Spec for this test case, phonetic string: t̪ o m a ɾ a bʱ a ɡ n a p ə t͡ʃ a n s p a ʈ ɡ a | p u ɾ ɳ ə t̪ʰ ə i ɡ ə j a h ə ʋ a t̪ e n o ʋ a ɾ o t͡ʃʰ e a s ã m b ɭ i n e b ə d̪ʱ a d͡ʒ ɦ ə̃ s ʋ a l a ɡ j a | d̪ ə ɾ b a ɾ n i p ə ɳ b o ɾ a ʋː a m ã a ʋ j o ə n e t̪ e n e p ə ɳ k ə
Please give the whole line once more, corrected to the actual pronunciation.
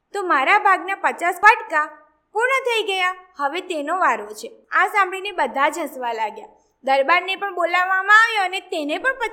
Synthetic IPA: t̪ o m a ɾ a bʱ a ɡ n a p ə t͡ʃ a s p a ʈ k a | p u ɾ ɳ ə t̪ʰ ə i ɡ ə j a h ə ʋ e t̪ e n o ʋ a ɾ o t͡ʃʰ e a s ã m b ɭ i n e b ə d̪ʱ a d͡ʒ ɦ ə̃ s ʋ a l a ɡ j a | d̪ ə ɾ b a ɾ n e p ə ɳ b o l a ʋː a m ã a ʋ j o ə n e t̪ e n e p ə ɳ p ə